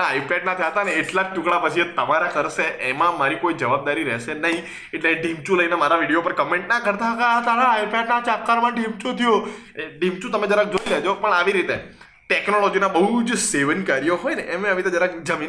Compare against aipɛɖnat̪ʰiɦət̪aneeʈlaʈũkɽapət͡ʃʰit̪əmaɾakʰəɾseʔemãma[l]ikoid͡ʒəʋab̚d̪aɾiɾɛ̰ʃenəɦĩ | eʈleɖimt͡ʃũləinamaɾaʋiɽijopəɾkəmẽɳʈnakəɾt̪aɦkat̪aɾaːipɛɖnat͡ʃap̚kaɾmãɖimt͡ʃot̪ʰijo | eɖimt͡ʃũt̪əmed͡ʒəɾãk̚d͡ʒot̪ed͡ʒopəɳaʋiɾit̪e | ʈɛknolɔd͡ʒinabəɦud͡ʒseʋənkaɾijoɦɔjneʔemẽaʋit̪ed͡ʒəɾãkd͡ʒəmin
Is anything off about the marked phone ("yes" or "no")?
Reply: yes